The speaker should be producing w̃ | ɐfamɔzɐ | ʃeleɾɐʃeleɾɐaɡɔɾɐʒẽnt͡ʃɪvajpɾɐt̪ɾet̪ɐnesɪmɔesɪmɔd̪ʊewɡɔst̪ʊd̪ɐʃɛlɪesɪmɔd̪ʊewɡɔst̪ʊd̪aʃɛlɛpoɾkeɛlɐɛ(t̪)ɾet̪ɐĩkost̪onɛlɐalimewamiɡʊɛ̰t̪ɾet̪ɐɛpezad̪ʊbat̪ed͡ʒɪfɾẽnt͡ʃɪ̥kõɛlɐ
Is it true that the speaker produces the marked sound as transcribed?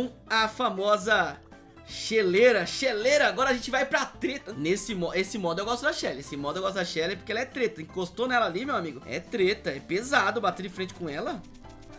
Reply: yes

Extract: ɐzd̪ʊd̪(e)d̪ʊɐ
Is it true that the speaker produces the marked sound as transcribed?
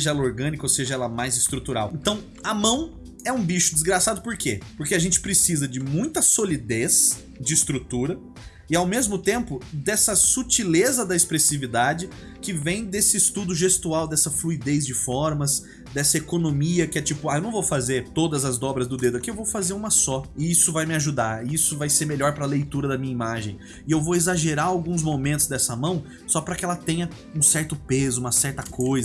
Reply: yes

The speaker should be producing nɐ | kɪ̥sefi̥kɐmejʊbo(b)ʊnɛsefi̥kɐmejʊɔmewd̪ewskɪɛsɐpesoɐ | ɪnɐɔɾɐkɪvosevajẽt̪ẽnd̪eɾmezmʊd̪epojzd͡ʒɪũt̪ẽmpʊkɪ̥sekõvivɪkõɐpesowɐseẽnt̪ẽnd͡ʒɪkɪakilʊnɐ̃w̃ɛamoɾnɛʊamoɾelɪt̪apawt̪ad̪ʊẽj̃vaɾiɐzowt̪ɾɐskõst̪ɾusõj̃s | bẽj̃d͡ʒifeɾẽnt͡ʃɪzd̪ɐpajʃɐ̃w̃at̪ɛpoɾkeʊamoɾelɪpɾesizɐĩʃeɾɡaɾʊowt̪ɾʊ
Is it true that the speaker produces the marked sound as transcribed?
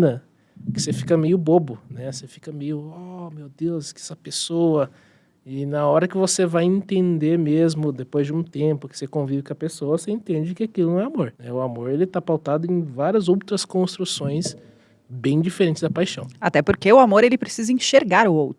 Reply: yes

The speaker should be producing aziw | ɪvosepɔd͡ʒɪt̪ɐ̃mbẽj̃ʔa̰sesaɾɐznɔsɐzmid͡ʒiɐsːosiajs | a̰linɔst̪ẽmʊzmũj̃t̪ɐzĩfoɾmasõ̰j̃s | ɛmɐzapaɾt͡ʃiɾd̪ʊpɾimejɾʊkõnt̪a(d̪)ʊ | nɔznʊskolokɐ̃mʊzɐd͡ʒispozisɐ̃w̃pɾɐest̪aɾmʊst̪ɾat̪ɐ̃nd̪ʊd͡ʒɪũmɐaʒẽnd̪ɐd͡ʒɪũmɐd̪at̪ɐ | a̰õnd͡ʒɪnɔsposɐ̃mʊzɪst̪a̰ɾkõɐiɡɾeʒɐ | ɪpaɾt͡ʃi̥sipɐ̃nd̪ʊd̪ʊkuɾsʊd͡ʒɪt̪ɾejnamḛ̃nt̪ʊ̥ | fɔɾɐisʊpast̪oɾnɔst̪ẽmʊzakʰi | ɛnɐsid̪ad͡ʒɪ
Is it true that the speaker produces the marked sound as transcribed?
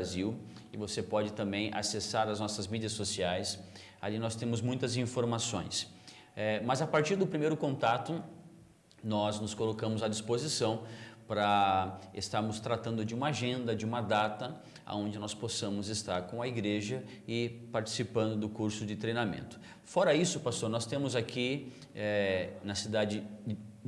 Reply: no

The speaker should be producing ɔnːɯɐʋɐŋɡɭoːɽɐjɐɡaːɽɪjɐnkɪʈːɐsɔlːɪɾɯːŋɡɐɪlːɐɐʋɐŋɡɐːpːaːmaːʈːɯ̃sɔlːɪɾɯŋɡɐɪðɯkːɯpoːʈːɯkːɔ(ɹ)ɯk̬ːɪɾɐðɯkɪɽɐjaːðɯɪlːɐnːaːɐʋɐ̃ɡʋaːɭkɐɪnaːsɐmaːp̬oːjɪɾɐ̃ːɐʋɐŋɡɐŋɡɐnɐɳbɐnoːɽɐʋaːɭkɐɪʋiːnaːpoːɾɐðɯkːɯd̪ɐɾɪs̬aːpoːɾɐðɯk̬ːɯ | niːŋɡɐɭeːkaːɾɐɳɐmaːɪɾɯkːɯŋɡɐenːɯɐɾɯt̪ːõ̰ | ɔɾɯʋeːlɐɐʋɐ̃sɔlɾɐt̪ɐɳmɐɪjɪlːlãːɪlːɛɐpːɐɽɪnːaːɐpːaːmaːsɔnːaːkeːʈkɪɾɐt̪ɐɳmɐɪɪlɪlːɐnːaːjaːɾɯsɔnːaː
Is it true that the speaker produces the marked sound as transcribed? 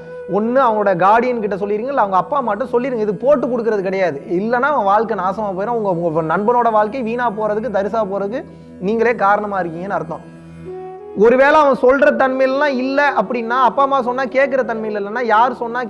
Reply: no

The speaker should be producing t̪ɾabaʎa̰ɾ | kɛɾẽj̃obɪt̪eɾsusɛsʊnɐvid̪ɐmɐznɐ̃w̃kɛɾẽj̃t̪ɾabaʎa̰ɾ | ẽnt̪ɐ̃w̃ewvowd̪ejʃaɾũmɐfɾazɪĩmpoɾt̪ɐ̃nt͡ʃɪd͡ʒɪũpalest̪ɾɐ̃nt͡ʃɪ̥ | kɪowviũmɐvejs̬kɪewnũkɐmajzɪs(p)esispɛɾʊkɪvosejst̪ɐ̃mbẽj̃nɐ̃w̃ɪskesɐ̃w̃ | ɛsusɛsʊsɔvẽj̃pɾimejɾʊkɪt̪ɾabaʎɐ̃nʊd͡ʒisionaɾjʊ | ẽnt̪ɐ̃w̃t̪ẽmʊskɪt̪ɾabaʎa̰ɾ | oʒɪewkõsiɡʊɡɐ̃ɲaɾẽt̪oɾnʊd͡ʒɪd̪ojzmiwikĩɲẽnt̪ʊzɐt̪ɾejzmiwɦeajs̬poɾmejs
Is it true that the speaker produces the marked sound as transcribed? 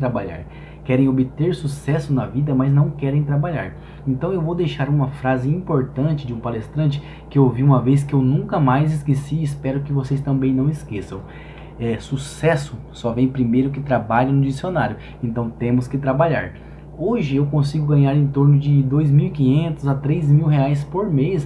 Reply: no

